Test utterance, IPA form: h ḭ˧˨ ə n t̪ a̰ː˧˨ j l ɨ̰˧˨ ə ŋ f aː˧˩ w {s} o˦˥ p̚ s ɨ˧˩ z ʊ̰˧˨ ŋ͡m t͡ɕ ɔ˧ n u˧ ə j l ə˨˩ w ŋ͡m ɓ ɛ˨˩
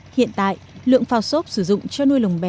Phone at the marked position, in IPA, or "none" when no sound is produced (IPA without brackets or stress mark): s